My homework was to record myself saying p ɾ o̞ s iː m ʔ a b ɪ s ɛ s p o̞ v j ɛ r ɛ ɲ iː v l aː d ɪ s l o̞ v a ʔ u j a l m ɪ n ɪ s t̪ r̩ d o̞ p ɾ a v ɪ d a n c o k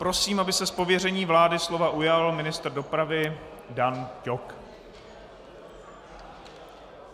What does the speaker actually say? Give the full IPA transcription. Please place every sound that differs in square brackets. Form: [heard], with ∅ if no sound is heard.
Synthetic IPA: p ɾ o̞ s iː m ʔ a b ɪ s ɛ s p o̞ v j ɛ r ɛ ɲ iː v l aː d ɪ s l o̞ v a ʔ u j a l m ɪ n ɪ s t̪ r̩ d o̞ p ɾ a v ɪ d a n c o k